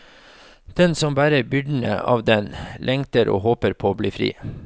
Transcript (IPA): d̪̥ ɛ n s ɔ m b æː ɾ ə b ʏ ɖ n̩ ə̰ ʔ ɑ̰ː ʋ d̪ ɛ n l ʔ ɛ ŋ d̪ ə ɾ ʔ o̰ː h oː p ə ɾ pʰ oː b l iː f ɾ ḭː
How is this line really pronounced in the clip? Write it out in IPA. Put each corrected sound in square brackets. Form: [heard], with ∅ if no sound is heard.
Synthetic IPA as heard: d̪̥ ɛ n s ɔ m b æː ɾ ə b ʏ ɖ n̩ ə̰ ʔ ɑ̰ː ʋ d̪ ɛ n l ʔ ɛ ŋ [t̪] ə ɾ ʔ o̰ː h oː p ə ɾ pʰ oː b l iː f ɾ ḭː